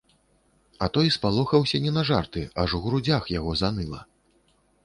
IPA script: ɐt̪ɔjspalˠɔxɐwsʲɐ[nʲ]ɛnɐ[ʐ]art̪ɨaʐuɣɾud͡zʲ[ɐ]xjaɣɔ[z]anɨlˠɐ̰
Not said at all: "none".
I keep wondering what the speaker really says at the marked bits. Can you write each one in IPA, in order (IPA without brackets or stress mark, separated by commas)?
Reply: nʲ, ʐ, a, z